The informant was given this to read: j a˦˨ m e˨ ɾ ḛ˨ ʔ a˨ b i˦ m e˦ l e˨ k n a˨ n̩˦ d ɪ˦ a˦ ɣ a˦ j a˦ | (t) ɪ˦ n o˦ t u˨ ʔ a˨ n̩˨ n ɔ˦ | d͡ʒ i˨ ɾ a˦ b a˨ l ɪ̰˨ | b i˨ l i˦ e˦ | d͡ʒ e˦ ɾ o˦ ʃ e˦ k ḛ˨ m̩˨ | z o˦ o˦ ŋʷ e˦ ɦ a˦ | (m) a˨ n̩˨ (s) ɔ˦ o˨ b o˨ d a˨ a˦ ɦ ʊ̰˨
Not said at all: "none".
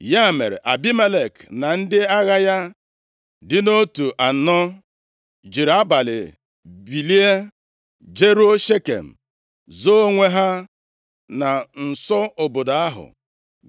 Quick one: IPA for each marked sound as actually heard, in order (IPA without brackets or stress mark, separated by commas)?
d, n, s